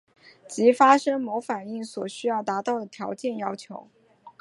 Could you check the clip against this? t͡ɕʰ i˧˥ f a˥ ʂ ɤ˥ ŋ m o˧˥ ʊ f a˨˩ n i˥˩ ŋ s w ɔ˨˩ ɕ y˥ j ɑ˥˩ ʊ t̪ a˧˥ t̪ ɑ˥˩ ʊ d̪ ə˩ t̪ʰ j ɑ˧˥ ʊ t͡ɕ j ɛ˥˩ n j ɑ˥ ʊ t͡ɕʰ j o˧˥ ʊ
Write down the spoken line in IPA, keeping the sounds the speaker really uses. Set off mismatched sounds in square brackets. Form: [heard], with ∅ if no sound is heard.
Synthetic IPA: [t͡ɕ] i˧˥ f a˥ ʂ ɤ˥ ŋ m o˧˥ ʊ f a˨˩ n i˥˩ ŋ s w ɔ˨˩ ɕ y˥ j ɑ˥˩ ʊ t̪ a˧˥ t̪ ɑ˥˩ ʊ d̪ ə˩ t̪ʰ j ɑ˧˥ ʊ t͡ɕ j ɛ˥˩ n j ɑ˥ ʊ t͡ɕʰ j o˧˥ ʊ

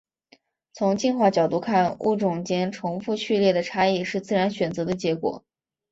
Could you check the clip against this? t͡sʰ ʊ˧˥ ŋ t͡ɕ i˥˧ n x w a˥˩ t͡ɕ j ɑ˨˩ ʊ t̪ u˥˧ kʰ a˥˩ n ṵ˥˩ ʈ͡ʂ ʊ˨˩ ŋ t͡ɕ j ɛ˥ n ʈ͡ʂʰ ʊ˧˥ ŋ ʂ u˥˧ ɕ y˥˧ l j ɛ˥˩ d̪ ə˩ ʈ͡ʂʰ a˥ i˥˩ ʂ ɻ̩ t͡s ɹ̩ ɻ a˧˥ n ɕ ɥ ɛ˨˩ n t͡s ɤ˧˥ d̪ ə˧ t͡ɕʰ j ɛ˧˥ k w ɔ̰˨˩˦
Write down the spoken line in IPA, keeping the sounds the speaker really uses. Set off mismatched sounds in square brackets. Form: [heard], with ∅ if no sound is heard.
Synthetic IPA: t͡sʰ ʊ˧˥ ŋ t͡ɕ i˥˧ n x w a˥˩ t͡ɕ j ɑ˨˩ ʊ t̪ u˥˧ kʰ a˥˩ n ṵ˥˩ ʈ͡ʂ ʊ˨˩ ŋ t͡ɕ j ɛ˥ n ʈ͡ʂʰ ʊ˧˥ ŋ [f] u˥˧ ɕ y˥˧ l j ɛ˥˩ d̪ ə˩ ʈ͡ʂʰ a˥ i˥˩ ʂ ɻ̩ t͡s ɹ̩ ɻ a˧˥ n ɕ ɥ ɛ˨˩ n t͡s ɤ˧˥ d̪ ə˧ [t͡ɕ] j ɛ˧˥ k w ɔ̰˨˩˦

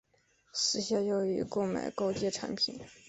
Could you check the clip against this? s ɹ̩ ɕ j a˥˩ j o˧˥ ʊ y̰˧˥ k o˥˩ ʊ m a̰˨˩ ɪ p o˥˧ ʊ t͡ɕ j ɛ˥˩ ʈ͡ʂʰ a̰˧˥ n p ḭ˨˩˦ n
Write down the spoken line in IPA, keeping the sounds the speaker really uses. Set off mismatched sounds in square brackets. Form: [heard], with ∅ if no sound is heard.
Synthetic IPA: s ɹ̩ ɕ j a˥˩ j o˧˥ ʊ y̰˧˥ k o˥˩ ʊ m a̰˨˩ ɪ [k] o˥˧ ʊ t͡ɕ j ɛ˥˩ ʈ͡ʂʰ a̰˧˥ n [pʰ] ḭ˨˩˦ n

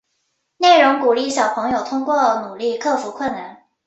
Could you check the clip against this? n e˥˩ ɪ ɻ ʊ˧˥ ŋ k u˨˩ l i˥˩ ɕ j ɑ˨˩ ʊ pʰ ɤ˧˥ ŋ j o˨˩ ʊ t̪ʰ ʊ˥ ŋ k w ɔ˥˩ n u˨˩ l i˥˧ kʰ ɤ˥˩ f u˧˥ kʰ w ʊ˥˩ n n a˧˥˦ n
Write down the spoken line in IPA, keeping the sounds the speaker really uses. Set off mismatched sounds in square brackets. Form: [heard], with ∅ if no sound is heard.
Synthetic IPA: n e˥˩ ɪ ɻ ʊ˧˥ ŋ k u˨˩ l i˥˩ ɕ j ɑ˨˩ ʊ pʰ ɤ˧˥ ŋ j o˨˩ ʊ t̪ʰ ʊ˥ ŋ k w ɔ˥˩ n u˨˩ l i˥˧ kʰ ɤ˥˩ f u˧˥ kʰ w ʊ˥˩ n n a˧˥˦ n

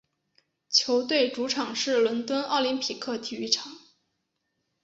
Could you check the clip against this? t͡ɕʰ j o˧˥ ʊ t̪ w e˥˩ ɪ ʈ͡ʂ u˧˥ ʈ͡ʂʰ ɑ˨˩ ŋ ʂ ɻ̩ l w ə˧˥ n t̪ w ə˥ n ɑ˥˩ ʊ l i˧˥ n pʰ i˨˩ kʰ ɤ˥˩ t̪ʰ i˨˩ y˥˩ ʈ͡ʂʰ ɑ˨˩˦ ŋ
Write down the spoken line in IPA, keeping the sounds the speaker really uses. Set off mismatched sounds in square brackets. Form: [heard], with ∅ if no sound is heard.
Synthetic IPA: t͡ɕʰ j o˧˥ ʊ t̪ w e˥˩ ɪ ʈ͡ʂ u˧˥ ʈ͡ʂʰ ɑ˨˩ ŋ ʂ ɻ̩ l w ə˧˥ n t̪ w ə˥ n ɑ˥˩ ʊ l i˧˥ n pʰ i˨˩ kʰ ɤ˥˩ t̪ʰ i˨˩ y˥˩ ʈ͡ʂʰ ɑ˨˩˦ ŋ

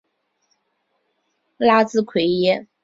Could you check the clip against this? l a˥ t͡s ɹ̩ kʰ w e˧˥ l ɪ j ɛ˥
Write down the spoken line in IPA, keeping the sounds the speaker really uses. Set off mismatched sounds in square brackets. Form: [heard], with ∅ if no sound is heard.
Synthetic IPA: l a˥ t͡s ɹ̩ kʰ w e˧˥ [∅] ɪ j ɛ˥

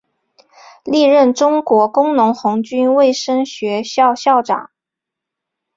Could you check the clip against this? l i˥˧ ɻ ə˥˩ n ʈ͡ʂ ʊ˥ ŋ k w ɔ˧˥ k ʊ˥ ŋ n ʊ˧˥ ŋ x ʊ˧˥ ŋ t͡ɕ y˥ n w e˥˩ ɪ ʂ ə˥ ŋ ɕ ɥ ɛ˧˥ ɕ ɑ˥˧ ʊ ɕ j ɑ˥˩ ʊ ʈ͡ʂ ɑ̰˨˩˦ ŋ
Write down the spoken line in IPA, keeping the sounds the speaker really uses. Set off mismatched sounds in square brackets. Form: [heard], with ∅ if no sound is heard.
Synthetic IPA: l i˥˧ ɻ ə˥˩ n ʈ͡ʂ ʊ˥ ŋ k w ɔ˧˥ k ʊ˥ ŋ n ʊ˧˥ ŋ x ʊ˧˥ ŋ t͡ɕ y˥ n w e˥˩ ɪ ʂ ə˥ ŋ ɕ ɥ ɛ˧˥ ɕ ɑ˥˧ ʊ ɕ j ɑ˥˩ ʊ ʈ͡ʂ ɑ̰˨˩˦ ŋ

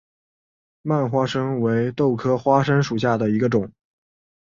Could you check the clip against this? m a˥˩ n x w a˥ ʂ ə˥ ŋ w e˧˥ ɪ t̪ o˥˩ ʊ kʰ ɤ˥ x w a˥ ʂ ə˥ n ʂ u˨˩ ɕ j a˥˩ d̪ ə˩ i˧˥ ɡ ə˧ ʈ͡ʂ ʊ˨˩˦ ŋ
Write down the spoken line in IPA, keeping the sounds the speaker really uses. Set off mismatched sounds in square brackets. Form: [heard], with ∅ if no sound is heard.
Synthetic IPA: m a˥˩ n x w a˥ ʂ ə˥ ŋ w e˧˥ ɪ t̪ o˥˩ ʊ kʰ ɤ˥ x w a˥ ʂ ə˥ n ʂ u˨˩ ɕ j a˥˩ d̪ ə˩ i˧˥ ɡ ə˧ ʈ͡ʂ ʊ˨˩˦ ŋ

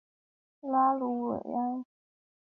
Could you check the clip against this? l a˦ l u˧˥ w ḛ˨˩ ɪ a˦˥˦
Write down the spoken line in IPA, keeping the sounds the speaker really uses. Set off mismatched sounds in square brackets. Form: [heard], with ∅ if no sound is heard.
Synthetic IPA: l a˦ l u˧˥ w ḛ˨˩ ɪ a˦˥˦

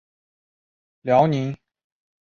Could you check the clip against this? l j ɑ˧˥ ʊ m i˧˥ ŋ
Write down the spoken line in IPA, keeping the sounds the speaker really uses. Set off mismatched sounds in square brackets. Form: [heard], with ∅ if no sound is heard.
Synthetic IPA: l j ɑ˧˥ ʊ [n] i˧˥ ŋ

